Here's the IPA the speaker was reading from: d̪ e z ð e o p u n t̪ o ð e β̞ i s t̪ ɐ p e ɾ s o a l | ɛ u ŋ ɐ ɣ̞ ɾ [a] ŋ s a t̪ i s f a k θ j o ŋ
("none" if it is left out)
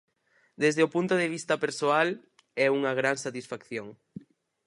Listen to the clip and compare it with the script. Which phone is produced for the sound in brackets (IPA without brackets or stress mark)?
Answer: a